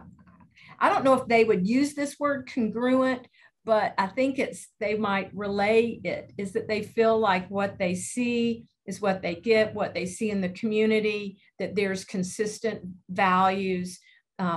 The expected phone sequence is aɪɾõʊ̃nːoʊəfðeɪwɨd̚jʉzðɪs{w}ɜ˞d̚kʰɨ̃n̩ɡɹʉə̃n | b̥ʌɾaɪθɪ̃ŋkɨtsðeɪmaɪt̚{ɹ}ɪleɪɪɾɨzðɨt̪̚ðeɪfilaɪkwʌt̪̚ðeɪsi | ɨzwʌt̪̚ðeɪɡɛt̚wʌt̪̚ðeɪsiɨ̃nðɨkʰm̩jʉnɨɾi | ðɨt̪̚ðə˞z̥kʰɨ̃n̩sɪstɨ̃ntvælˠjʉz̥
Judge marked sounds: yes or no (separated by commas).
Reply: yes, yes